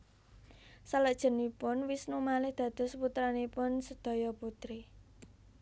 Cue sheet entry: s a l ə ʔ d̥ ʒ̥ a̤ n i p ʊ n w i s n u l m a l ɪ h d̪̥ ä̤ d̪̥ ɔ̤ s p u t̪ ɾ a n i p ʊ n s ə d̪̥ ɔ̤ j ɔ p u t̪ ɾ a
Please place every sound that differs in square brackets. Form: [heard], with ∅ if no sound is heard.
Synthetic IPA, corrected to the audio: s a l ə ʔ d̥ ʒ̥ [ə̤] n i p ʊ n w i s n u [∅] m a l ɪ h d̪̥ ä̤ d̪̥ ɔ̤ s p u t̪ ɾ a n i p ʊ n s ə d̪̥ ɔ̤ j ɔ p u t̪ ɾ [i]